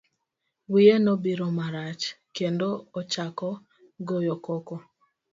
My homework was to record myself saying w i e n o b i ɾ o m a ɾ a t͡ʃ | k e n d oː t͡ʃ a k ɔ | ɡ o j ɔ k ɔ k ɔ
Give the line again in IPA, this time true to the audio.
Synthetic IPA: w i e n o b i ɾ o m a ɾ a t͡ʃ | k e n d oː t͡ʃ a k ɔ | ɡ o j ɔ k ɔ k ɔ